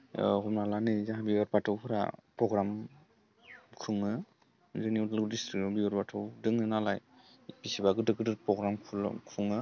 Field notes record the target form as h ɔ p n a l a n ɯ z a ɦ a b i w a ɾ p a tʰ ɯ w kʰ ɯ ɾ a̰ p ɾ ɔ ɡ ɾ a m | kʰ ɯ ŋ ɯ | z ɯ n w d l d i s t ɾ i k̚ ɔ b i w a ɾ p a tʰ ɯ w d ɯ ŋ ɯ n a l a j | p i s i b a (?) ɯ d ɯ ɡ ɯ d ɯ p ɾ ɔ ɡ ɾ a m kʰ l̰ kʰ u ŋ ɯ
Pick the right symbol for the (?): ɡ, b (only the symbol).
ɡ